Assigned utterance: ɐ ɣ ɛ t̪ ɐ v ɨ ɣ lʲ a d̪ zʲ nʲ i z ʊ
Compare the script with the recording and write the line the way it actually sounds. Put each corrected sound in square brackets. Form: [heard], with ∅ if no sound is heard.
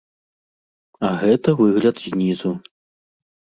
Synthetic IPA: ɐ ɣ ɛ t̪ ɐ v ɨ ɣ lʲ [ɐ] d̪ zʲ nʲ i z [u]